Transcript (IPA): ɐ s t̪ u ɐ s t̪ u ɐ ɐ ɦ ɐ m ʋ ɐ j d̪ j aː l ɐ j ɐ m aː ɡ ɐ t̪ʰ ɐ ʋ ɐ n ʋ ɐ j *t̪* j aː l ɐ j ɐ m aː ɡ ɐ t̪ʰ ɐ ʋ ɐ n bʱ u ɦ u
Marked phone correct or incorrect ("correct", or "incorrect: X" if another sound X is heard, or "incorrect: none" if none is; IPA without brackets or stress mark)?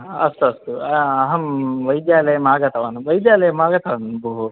incorrect: d̪